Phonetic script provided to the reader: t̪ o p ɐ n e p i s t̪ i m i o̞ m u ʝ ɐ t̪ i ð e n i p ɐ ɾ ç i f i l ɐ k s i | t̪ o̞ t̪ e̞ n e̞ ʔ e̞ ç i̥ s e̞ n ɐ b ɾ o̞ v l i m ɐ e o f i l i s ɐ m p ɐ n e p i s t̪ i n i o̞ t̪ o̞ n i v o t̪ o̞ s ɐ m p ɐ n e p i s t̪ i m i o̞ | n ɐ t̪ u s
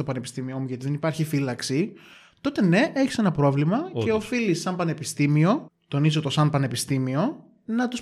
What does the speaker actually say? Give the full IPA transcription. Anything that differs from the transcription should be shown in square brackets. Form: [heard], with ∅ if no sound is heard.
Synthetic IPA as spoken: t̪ o p ɐ n e p i s t̪ i m i o̞ m u ʝ ɐ t̪ i ð e n i p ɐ ɾ ç i f i l ɐ k s i | t̪ o̞ t̪ e̞ n e̞ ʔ e̞ ç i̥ s e̞ n ɐ [p] ɾ o̞ v l i m ɐ e o f i l i s ɐ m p ɐ n e p i s t̪ i [m] i o̞ t̪ o̞ n i [z] o t̪ o̞ s ɐ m p ɐ n e p i s t̪ i m i o̞ | n ɐ t̪ u s